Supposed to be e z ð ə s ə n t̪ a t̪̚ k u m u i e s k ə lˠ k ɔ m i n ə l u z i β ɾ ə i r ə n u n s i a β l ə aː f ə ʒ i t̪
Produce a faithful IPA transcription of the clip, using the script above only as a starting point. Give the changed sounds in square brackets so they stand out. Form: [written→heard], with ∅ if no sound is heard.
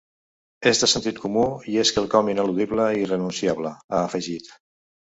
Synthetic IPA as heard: e z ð ə s ə n t̪ [a→i] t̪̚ k u m u i e s k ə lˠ k ɔ m i n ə l u [z→ð] i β [ɾ→l] ə i r ə n u n s i a β l ə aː f ə ʒ i t̪